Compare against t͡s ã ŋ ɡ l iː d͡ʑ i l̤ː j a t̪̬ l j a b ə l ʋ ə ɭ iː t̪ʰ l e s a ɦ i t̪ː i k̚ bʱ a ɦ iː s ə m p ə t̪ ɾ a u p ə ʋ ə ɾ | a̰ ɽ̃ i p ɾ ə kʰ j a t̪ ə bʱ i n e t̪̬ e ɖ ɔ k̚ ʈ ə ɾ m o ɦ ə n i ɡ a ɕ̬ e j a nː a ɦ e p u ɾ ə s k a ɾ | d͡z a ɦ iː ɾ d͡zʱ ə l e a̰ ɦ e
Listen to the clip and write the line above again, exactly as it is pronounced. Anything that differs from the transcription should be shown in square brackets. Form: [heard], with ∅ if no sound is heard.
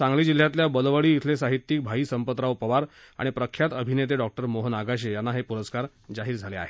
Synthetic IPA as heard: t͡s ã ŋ ɡ l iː d͡ʑ i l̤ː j a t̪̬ l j a b ə l ʋ ə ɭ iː t̪ʰ l e s a ɦ i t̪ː i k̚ bʱ a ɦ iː s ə m p ə t̪ ɾ a u p ə ʋ [a] ɾ | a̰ ɽ̃ i p ɾ ə kʰ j a t̪ ə bʱ i n e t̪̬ e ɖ ɔ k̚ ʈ ə ɾ m o ɦ ə n [a] ɡ a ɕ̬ e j a nː a ɦ e p u ɾ ə s k a ɾ | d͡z a ɦ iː ɾ d͡zʱ [a] l e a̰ ɦ e